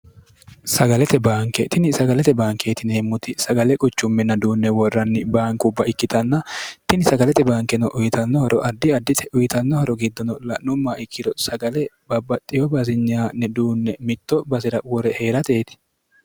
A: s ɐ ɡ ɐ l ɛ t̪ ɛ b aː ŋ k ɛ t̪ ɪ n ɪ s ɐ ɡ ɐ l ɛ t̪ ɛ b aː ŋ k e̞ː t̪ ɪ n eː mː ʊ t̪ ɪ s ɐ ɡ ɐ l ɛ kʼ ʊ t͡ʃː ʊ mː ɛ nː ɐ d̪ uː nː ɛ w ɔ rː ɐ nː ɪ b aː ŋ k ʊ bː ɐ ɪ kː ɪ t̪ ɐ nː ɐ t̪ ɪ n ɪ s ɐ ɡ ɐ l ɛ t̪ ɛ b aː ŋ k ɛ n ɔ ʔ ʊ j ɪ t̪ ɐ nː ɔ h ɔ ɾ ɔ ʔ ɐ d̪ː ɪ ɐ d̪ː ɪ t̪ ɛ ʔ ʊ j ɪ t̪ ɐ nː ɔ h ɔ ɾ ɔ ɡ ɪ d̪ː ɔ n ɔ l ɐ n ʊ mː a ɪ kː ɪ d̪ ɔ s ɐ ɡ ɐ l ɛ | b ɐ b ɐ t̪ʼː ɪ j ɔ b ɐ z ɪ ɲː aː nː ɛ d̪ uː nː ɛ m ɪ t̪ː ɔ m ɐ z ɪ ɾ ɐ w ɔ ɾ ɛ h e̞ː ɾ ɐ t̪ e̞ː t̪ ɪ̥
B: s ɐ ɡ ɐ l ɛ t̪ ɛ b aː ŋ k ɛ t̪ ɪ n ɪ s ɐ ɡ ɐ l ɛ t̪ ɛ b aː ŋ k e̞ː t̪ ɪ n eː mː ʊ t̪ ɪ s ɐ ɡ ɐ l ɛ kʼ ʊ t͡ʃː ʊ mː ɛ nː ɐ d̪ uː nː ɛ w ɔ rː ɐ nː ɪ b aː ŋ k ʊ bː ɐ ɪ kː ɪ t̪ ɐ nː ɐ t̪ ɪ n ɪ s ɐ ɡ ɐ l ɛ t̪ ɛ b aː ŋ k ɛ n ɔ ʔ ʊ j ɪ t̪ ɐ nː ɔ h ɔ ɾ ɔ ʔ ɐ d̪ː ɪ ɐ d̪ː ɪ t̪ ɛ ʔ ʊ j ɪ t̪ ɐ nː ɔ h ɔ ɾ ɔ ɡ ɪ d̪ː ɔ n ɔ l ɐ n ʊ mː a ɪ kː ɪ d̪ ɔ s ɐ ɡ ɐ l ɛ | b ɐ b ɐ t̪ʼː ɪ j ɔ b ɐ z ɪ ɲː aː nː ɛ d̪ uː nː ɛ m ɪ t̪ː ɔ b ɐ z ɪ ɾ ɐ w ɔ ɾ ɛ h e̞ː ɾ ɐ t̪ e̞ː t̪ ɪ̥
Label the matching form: B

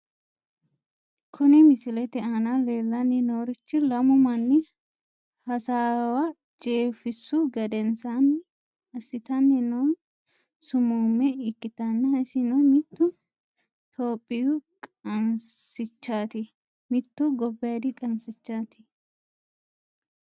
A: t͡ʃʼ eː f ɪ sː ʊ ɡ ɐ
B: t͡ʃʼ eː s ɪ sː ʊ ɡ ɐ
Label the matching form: A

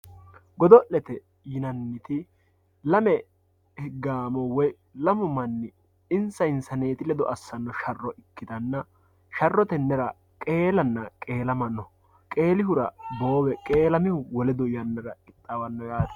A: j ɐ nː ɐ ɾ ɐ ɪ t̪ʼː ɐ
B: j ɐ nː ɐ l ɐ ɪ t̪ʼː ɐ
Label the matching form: A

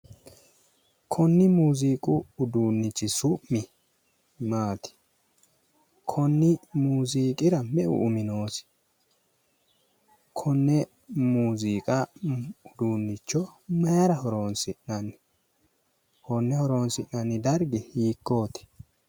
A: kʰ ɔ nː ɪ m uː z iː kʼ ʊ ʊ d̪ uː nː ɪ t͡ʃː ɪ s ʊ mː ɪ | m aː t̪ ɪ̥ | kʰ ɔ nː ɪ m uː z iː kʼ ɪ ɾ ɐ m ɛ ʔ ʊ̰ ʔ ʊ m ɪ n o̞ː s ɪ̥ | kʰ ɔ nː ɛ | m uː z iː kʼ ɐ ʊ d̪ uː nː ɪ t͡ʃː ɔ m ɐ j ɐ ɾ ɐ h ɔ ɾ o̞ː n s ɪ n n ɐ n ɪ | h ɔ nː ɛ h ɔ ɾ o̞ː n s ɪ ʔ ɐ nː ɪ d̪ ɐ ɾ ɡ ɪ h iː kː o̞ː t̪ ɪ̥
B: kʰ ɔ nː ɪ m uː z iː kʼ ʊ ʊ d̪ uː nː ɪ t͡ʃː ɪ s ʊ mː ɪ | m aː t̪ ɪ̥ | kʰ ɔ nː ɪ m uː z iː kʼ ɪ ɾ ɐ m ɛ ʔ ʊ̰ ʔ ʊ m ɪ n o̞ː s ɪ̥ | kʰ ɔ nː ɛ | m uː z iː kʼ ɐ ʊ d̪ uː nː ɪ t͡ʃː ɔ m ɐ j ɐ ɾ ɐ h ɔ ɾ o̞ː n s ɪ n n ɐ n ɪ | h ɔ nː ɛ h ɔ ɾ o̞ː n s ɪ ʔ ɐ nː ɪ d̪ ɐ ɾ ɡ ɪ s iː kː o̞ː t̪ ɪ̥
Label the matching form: A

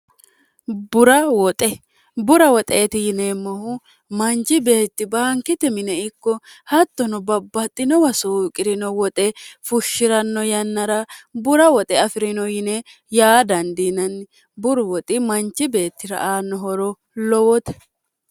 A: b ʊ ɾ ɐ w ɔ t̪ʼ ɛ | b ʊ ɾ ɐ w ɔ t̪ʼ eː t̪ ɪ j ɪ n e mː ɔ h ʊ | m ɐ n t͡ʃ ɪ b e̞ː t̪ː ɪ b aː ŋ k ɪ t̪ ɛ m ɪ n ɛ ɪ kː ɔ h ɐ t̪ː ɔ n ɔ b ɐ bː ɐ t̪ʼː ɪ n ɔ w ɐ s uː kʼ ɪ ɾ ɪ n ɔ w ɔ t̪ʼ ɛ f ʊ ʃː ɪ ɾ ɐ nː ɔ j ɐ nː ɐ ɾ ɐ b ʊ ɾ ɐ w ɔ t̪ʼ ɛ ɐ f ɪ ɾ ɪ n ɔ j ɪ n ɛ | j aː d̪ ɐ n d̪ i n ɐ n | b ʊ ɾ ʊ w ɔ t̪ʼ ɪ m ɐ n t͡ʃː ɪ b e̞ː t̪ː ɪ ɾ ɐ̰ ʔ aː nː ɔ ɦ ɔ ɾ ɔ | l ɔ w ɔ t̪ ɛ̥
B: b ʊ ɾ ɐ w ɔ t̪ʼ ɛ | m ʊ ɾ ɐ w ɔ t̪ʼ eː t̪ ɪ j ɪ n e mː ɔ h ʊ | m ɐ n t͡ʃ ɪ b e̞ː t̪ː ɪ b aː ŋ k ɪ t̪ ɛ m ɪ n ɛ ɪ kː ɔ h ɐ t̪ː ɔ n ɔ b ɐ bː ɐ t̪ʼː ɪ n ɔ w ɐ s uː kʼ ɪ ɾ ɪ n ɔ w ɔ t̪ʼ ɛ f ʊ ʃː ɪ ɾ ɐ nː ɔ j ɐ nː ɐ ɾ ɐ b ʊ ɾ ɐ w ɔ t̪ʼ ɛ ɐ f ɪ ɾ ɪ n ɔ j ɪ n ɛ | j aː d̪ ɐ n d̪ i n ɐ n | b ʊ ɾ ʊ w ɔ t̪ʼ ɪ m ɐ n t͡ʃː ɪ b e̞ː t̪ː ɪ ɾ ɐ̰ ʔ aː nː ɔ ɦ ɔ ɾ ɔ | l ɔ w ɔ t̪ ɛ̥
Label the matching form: A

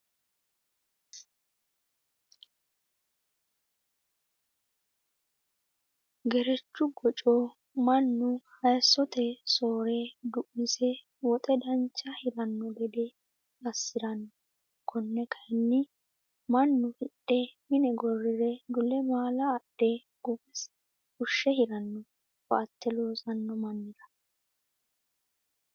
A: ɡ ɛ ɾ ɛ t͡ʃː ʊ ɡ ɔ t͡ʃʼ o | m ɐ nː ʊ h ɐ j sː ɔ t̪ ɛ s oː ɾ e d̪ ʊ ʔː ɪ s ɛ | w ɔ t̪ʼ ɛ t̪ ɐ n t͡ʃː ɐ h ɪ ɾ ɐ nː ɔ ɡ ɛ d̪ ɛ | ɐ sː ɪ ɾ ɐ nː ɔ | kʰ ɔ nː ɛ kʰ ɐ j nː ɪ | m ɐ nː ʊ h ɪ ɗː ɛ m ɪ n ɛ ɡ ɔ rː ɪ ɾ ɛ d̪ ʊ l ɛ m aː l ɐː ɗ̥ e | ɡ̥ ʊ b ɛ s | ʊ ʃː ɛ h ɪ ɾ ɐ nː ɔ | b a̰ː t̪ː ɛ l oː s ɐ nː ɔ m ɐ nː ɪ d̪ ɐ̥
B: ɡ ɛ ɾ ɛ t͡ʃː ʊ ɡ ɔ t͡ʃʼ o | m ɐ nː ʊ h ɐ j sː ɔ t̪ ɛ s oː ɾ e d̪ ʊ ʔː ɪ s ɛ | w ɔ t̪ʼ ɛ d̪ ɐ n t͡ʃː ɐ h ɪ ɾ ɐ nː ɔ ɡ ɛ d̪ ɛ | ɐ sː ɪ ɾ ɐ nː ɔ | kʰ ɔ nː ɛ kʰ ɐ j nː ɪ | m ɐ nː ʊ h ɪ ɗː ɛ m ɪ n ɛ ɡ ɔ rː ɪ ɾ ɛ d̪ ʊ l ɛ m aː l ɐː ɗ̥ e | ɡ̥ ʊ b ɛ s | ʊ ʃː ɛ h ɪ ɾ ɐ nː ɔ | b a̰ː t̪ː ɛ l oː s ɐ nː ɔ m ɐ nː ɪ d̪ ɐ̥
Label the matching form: B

